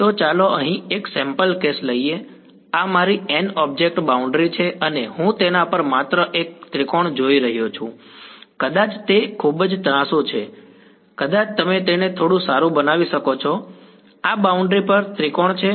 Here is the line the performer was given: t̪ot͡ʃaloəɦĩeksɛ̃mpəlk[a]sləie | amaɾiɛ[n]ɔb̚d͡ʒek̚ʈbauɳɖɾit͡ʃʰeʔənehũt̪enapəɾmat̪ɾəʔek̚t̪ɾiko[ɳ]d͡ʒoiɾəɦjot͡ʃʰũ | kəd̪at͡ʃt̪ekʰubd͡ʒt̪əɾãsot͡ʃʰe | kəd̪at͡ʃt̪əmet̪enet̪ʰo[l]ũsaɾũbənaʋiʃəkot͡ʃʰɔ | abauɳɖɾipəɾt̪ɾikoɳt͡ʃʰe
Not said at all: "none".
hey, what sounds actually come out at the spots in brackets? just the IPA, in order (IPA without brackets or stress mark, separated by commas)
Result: e, n, ɳ, ɽ